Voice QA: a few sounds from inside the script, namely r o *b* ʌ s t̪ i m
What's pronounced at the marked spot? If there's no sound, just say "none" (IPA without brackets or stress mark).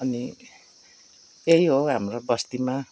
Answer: b